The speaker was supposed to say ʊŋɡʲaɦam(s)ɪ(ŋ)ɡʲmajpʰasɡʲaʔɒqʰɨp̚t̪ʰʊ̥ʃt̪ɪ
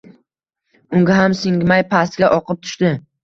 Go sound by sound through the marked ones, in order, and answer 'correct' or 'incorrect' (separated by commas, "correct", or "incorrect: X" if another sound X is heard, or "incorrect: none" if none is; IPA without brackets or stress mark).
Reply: correct, correct